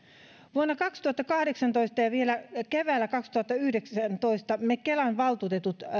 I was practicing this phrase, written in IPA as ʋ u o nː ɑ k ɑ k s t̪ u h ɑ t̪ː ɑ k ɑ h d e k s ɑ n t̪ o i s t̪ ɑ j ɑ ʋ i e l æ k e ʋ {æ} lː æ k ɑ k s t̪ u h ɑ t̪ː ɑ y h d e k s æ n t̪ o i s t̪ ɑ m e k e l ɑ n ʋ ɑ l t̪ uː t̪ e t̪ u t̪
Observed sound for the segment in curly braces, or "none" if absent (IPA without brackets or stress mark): æː